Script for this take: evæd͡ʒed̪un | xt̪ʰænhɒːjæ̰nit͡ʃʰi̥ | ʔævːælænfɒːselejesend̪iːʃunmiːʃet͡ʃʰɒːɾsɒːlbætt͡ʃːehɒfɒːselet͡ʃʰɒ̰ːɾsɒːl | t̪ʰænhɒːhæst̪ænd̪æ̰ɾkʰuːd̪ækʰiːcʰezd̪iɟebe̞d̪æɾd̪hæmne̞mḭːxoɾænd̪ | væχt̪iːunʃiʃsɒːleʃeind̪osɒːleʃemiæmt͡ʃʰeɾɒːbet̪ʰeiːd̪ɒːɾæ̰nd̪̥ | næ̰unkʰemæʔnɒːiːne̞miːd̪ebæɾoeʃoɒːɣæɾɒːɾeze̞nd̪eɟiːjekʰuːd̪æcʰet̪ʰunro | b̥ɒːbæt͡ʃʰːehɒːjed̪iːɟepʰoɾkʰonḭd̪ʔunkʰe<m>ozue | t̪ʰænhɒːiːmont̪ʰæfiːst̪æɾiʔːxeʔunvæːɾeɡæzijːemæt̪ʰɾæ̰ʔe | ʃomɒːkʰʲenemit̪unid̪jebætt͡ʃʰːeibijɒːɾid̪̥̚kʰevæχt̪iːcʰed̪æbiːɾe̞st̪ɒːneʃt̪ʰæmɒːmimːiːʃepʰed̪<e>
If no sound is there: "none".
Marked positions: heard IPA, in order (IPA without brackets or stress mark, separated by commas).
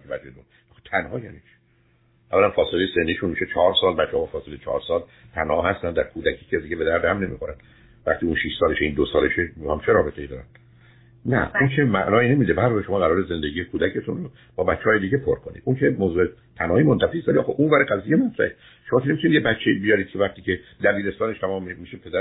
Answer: m, æ